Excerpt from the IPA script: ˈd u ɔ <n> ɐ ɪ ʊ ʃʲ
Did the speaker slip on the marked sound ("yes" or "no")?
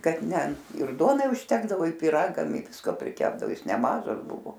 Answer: no